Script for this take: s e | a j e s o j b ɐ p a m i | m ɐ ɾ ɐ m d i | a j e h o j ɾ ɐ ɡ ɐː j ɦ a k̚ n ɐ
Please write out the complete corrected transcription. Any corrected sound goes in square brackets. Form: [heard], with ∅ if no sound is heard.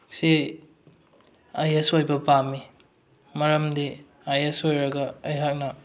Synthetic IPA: s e | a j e s o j b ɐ p a m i | m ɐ ɾ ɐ m d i | a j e [s] o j ɾ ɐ ɡ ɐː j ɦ a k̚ n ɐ